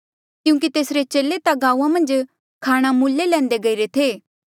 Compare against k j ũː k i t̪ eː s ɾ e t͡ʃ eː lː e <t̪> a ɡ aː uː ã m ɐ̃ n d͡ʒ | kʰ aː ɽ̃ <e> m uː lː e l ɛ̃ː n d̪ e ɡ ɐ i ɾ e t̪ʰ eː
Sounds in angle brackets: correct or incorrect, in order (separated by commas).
correct, incorrect